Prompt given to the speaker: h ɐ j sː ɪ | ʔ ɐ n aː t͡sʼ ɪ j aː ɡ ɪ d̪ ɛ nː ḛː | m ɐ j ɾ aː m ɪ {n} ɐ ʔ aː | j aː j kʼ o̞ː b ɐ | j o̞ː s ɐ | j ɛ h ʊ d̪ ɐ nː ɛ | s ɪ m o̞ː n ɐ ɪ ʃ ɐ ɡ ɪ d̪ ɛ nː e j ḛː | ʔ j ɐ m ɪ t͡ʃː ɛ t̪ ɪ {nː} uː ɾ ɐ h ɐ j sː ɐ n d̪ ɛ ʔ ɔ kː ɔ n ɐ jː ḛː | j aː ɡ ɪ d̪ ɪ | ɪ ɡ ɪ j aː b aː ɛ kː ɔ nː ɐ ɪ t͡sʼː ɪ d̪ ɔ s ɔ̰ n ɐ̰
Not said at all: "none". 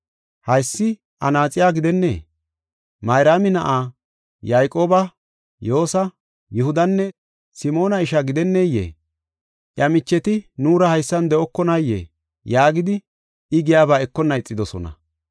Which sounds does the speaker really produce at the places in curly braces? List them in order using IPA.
n, n

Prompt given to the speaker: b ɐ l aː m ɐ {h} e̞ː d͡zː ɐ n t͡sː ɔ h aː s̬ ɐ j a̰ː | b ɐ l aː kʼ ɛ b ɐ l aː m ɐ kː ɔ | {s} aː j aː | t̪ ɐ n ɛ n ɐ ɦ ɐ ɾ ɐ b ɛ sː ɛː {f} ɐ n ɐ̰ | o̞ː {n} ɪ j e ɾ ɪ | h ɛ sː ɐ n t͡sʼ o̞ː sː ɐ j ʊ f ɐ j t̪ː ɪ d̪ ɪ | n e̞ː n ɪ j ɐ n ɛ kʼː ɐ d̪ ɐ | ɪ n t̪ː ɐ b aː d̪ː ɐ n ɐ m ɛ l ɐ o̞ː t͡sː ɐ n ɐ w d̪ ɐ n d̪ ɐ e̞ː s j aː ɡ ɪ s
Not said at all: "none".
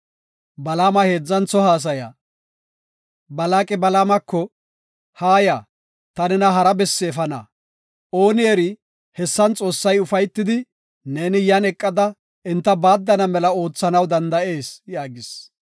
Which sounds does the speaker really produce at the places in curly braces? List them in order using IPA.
h, h, f, n

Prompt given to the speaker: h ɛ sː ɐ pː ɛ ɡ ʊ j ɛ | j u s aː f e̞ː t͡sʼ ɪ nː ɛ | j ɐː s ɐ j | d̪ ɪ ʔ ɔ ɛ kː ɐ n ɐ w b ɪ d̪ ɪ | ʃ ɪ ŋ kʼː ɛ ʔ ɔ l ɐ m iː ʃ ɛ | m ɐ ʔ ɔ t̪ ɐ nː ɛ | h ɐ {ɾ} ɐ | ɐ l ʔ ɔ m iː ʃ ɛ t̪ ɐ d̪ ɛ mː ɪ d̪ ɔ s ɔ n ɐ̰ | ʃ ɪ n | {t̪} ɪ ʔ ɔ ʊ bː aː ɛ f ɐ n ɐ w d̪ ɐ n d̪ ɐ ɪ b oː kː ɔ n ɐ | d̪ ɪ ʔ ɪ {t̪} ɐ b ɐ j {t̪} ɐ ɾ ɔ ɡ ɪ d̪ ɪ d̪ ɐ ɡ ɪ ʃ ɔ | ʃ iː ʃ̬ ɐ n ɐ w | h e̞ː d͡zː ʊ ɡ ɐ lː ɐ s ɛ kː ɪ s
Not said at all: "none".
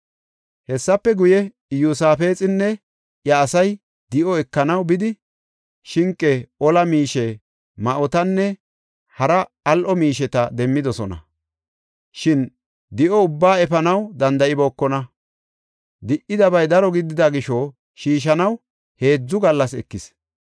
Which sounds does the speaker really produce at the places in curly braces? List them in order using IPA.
ɾ, d̪, d̪, d̪

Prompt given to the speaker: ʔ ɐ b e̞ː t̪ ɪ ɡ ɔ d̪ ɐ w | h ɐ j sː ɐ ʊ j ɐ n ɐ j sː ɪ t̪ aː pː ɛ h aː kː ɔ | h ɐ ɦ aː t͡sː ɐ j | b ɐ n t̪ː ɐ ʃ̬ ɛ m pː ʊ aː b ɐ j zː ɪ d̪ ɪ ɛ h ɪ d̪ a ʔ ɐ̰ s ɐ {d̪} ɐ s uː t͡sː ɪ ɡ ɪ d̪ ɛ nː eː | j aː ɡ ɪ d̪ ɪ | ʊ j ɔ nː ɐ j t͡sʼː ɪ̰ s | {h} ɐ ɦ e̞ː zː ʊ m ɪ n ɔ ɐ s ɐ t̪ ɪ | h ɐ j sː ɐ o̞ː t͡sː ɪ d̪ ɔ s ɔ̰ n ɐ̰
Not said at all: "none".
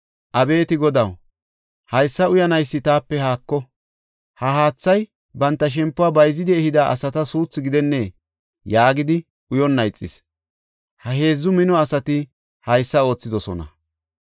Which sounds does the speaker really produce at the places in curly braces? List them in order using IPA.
t̪, h

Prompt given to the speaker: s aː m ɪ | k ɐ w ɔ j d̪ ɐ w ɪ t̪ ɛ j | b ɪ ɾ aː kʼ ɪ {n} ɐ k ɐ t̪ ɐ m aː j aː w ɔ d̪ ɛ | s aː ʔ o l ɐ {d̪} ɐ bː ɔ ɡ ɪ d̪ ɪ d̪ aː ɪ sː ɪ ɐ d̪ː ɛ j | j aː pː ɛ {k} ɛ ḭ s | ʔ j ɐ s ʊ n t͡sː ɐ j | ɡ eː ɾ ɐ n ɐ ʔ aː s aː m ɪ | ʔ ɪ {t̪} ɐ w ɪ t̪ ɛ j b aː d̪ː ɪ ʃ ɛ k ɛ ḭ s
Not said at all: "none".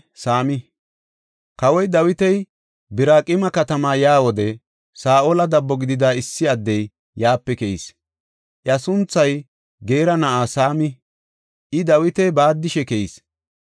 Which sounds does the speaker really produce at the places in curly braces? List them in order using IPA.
m, d̪, k, d̪

